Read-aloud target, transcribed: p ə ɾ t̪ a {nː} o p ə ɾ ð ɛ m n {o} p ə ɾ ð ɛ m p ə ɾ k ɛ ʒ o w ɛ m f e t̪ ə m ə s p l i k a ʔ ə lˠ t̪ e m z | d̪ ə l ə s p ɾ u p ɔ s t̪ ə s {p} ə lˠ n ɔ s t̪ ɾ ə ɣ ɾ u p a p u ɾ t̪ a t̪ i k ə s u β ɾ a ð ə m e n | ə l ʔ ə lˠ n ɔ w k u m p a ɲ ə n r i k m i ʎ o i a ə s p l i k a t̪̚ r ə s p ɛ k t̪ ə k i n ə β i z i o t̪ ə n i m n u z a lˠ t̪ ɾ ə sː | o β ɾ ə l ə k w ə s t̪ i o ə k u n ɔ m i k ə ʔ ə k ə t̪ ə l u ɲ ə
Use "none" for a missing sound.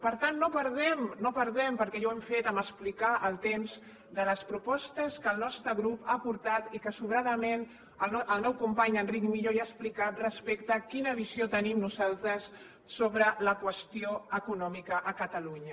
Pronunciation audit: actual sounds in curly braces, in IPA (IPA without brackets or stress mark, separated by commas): nː, o, k